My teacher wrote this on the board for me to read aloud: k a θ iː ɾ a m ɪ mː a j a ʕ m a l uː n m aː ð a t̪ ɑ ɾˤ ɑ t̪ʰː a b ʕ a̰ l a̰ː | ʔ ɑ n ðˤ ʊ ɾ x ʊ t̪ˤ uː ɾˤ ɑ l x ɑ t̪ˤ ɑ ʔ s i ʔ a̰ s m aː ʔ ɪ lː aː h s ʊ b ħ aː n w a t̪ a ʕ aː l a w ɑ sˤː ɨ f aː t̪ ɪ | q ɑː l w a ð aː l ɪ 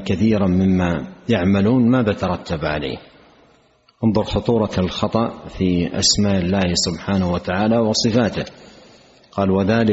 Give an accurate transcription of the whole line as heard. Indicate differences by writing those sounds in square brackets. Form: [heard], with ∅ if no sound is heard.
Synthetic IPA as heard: k a θ iː ɾ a m ɪ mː a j a ʕ m a l uː n m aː ð a t̪ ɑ ɾˤ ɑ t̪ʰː a b ʕ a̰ l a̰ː | ʔ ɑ n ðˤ ʊ ɾ x ʊ t̪ˤ uː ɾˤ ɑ l x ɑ t̪ˤ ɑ ʔ [f] i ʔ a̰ s m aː ʔ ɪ lː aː h s ʊ b ħ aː n w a t̪ a ʕ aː l a w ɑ [sˤ] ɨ f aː t̪ ɪ | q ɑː l w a ð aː l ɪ